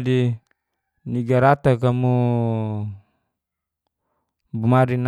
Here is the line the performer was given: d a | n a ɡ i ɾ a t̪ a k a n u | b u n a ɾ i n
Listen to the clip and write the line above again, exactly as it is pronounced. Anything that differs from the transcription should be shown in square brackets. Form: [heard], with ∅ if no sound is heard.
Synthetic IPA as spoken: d [i] | n [i] ɡ [a] ɾ a t̪ a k a [m] u | b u [m] a ɾ i n